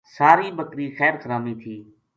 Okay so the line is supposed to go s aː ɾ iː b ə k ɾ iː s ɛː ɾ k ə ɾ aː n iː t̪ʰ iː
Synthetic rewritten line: s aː ɾ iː b ə k ɾ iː x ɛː ɾ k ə ɾ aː m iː t̪ʰ iː